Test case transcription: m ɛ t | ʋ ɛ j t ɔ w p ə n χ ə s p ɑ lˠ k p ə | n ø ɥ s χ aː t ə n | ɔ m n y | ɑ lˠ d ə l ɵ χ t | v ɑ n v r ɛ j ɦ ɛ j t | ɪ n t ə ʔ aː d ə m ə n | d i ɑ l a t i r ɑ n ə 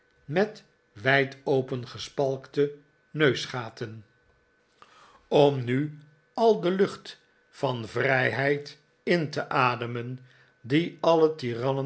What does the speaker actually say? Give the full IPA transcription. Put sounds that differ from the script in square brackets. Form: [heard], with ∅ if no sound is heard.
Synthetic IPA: m ɛ t | ʋ ɛ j t [o] w p ə n χ ə s p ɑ lˠ k [t] ə | n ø ɥ s χ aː t ə n | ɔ m n y | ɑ lˠ d ə l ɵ χ t | [f] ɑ n v r ɛ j ɦ ɛ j t | ɪ n t ə ʔ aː d ə m ə n | d i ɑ l [ə] t i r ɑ n ə